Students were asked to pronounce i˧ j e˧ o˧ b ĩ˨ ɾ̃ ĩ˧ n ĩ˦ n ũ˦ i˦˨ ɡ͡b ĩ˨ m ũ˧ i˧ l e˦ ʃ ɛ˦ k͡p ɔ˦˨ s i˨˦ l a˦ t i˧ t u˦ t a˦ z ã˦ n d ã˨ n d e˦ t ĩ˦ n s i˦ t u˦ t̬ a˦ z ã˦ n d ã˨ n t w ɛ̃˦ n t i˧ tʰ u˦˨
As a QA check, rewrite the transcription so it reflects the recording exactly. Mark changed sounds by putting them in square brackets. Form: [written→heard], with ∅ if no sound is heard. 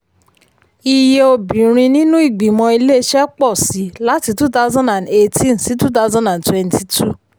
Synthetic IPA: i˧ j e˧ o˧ b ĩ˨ ɾ̃ ĩ˧ n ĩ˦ n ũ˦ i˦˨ ɡ͡b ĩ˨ m [ũ˧→ɔ̃˧] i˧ l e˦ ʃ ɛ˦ k͡p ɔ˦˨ s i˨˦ l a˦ t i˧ t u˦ t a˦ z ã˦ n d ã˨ n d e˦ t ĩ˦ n s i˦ t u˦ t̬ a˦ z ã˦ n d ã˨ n t w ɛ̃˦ n t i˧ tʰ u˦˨